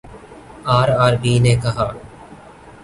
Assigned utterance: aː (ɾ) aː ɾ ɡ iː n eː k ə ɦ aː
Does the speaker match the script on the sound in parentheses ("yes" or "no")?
yes